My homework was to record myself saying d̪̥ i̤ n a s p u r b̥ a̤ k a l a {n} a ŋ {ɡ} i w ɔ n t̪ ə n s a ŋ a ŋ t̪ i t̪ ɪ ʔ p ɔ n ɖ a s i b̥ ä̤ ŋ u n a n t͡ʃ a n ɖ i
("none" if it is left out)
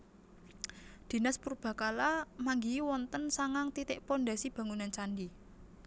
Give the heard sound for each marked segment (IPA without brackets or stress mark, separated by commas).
m, ɡ